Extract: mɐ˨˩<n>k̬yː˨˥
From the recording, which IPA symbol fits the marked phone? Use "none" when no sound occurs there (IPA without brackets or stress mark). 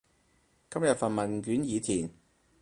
n